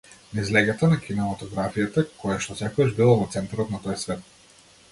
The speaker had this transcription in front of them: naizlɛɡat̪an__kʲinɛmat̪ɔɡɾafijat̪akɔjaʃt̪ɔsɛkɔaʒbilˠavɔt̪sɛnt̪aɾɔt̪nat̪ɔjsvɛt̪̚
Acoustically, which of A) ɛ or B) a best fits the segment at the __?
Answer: B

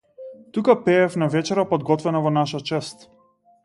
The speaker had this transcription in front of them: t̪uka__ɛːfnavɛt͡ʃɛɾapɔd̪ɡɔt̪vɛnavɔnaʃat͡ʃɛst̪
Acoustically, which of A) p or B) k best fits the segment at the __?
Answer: A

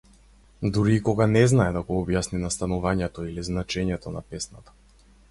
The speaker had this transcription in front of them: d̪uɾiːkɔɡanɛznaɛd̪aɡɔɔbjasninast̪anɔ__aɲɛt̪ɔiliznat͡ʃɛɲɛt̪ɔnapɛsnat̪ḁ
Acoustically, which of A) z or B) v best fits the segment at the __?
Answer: B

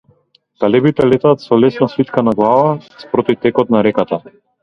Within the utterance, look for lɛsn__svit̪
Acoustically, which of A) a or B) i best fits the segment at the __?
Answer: A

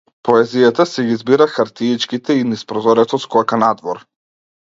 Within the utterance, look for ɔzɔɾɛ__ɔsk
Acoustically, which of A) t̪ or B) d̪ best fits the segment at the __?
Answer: A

